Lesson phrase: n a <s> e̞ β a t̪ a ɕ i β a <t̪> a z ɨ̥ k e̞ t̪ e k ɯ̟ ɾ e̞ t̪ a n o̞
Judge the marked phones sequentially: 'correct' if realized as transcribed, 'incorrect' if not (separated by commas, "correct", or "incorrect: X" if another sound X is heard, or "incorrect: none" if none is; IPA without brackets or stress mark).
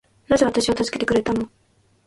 incorrect: z, correct